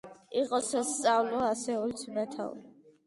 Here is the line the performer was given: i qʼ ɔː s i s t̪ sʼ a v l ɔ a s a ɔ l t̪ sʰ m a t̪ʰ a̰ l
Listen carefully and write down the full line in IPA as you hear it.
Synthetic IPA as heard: i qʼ ɔ s a s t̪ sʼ a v l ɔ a s ɛ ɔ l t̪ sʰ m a t̪ʰ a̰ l